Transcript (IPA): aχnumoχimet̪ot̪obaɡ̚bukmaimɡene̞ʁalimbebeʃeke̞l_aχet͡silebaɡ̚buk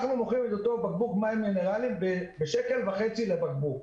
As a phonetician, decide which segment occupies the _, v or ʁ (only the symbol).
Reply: v